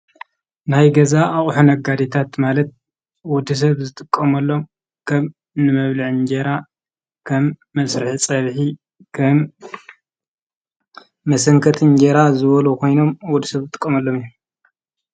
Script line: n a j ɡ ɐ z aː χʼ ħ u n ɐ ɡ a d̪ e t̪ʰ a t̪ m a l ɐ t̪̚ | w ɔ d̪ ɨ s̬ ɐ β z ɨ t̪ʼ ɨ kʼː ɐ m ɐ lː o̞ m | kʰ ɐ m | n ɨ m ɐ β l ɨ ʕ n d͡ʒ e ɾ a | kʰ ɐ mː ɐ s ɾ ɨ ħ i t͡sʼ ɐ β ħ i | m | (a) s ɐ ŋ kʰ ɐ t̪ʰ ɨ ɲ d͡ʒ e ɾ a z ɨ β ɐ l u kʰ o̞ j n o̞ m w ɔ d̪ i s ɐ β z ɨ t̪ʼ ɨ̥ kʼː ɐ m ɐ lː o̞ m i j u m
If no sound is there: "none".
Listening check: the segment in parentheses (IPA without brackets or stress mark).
ɐ